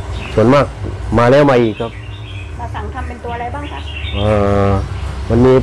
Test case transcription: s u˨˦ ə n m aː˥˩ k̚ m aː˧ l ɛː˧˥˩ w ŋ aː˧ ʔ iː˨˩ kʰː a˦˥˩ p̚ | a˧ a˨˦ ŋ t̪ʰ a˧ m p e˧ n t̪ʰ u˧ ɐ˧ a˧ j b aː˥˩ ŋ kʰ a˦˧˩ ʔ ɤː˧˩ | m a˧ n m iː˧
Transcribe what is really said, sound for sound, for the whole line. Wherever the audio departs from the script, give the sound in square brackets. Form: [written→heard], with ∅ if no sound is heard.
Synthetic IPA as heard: s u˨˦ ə n m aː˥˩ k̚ m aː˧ l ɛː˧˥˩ w [ŋ→m] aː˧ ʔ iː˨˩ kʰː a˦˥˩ p̚ | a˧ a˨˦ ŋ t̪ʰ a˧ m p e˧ n [t̪ʰ→t̪] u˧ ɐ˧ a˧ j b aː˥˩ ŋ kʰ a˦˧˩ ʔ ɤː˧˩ | m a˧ n m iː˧